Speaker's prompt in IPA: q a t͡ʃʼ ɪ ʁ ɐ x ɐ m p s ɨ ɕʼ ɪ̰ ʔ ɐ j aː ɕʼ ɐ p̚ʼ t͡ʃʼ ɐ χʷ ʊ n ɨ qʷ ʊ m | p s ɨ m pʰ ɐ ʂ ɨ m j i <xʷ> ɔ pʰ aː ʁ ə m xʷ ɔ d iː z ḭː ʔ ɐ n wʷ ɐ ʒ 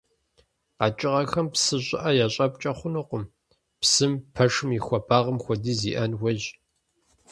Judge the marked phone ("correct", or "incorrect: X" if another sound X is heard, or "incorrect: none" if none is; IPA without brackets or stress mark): correct